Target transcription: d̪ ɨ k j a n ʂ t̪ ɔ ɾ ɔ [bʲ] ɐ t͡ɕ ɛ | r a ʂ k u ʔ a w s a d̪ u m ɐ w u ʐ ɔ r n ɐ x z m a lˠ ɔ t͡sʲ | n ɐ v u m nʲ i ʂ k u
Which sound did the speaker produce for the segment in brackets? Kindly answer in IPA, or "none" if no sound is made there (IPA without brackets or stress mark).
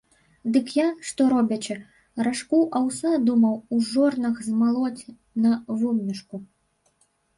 bʲ